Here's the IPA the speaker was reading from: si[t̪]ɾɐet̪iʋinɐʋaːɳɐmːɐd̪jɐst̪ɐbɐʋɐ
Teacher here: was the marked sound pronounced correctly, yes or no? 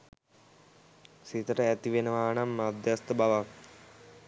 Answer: yes